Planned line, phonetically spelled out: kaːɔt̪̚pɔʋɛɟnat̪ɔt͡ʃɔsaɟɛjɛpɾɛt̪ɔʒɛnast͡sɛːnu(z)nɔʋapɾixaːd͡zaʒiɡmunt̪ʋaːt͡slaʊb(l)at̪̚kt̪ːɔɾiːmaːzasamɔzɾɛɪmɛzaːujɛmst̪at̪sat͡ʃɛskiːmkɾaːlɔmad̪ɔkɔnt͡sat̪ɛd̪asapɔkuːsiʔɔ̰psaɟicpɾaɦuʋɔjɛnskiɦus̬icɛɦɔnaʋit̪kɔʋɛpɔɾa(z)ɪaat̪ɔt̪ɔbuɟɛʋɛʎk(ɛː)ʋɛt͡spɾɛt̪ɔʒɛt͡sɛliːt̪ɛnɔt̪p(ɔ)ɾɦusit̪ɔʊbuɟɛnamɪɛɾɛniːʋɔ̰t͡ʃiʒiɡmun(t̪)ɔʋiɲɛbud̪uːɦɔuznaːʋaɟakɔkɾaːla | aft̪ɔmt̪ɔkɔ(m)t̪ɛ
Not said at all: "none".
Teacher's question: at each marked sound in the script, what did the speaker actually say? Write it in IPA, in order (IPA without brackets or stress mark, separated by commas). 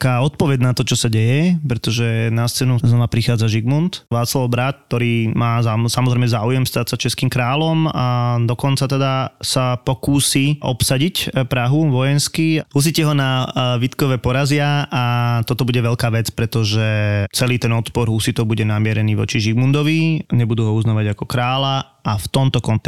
z, ɾ, z, aː, ɔ, d̪, n